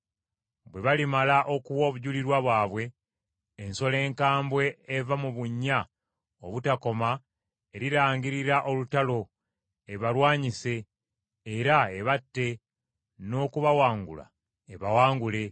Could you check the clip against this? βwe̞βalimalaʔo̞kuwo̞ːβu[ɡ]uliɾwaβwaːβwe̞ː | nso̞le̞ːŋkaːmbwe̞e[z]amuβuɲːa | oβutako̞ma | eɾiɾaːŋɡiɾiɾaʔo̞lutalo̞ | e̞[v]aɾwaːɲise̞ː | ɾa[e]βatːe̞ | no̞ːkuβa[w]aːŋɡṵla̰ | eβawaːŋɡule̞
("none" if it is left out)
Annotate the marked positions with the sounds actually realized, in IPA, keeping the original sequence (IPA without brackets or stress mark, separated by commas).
ɟ, v, β, e, w